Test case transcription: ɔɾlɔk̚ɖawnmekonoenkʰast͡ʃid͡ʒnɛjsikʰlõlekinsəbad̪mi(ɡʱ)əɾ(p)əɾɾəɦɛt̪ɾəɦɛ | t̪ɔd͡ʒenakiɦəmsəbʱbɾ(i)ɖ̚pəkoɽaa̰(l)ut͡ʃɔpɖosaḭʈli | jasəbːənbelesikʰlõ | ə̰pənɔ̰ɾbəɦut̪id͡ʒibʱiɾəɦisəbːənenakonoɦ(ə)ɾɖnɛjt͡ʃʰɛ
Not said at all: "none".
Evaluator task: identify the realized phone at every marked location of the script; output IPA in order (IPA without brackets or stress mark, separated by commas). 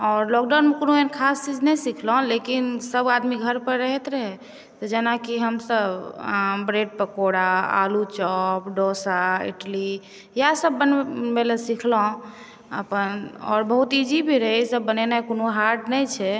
ɡʱ, p, e, l, a